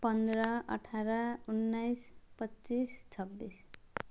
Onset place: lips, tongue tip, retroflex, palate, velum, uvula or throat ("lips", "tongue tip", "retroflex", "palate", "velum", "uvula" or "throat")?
lips